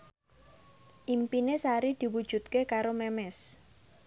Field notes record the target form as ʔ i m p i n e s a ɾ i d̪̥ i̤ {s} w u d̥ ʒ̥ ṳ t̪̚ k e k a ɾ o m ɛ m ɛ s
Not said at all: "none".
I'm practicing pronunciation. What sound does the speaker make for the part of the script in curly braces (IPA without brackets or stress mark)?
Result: none